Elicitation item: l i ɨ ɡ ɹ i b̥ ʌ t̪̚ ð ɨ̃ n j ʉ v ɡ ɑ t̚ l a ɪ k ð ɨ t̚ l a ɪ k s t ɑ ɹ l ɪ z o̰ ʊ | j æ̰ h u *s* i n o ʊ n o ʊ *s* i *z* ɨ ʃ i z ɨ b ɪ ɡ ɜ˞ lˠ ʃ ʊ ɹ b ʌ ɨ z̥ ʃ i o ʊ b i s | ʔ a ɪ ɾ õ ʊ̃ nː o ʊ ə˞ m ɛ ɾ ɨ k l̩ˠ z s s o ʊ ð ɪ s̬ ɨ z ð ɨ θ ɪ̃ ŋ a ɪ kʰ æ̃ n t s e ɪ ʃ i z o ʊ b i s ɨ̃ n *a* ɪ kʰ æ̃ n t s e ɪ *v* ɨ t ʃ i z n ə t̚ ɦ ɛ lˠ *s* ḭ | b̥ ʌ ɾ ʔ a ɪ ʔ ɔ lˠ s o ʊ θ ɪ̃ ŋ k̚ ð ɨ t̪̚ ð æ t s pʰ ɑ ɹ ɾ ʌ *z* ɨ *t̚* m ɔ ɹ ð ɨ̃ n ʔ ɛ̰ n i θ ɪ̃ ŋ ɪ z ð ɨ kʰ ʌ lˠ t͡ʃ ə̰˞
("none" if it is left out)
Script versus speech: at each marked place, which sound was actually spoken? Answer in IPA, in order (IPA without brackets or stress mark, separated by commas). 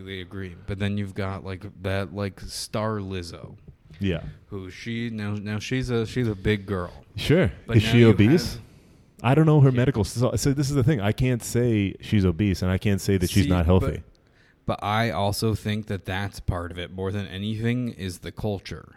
ʃ, ʃ, z, a, ð, θ, v, t̚